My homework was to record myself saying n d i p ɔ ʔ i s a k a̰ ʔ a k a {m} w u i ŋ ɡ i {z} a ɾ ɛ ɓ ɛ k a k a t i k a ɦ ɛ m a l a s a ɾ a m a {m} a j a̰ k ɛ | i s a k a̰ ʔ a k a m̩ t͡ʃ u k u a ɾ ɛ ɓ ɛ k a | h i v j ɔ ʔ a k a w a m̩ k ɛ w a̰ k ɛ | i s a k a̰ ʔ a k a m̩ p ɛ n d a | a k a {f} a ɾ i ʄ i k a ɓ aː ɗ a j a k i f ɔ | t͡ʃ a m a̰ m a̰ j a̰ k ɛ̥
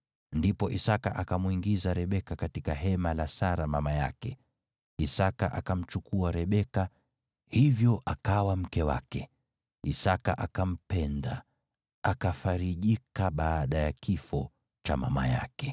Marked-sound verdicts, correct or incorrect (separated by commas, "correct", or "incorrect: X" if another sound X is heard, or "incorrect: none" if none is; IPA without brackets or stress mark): correct, correct, correct, correct